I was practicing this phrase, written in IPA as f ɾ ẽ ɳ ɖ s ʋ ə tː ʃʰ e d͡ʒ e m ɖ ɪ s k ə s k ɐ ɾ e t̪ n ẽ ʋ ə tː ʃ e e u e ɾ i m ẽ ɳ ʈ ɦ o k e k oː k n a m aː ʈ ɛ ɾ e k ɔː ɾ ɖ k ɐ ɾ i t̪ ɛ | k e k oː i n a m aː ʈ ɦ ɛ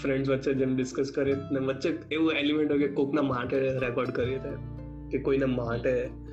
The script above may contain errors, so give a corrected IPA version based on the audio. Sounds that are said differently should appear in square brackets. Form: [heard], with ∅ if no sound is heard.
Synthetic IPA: f ɾ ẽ ɳ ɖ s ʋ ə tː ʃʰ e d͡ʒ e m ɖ ɪ s k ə s k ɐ ɾ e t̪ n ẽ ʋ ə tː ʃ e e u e [l] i m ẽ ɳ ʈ ɦ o k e k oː k n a m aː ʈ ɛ ɾ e k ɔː ɾ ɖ k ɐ ɾ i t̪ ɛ | k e k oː i n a m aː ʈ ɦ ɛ